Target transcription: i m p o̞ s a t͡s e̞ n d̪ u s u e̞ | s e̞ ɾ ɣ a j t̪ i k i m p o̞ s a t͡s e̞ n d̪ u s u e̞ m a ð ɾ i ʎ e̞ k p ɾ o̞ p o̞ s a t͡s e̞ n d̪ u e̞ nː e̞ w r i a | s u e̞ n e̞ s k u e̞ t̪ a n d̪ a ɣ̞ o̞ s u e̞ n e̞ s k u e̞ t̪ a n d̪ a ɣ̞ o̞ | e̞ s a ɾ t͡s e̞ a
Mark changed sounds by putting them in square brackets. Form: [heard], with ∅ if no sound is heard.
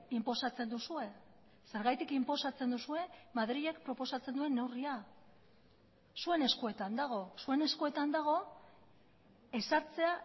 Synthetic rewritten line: i m p o̞ s a t͡s e̞ n d̪ u s u e̞ | s e̞ ɾ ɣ a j t̪ i k i m p o̞ s a t͡s e̞ n d̪ u s u e̞ m a ð ɾ i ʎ e̞ k p ɾ o̞ p o̞ s a t͡s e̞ n d̪ u e̞ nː e̞ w r i a | s u e̞ n e̞ s k u e̞ t̪ a n d̪ a ɣ̞ o̞ s u e̞ n e̞ s k u e̞ t̪ a n d̪ a ɣ̞ o̞ | e̞ s a ɾ t͡s e̞ a